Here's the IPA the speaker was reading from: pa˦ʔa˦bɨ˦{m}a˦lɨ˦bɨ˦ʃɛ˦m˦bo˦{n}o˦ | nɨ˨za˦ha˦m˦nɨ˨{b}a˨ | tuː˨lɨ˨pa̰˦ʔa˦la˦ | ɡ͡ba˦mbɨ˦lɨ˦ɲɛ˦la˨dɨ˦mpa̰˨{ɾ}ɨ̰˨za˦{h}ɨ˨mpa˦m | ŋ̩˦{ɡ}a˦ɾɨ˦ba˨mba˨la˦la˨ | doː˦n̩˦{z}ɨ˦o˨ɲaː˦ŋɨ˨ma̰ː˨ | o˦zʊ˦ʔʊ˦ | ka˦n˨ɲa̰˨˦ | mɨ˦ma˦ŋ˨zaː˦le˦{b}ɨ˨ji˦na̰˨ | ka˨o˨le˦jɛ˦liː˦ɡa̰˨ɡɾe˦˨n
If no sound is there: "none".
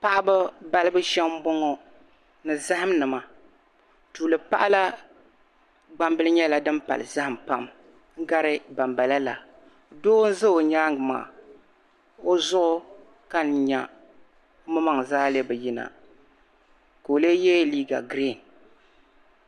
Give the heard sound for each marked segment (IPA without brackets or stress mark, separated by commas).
b, ŋ, m, l, h, ɡ, z, b